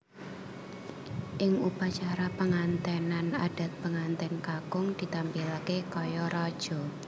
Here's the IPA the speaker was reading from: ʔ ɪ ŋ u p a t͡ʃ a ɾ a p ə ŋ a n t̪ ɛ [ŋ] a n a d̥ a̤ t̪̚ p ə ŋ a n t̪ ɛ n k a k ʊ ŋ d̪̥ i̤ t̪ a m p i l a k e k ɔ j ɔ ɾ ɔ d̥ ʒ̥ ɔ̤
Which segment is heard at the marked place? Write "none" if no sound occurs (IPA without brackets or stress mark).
n